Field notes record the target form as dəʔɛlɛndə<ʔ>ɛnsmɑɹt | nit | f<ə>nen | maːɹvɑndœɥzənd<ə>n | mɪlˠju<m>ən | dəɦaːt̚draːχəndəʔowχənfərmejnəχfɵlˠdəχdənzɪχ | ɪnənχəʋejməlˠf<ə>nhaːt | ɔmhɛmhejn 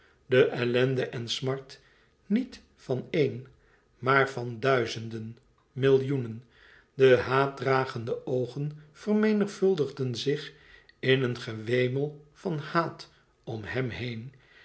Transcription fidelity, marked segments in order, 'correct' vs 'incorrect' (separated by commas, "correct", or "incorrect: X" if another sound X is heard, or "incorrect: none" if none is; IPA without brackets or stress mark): correct, incorrect: ɑ, correct, incorrect: n, incorrect: ɑ